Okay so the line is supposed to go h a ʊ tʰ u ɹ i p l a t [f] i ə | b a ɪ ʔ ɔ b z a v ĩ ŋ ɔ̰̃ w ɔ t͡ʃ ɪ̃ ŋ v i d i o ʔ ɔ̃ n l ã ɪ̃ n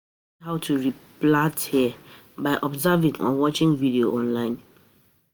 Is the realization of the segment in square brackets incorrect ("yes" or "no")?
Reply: yes